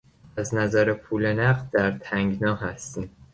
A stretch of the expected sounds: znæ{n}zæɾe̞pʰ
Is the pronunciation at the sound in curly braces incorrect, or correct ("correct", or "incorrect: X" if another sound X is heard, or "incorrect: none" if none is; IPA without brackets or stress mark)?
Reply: incorrect: none